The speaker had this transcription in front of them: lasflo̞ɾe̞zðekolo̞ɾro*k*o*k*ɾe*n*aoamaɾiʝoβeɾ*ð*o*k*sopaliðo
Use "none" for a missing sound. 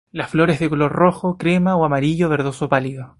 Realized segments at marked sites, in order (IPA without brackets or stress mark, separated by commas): x, k, m, ð, none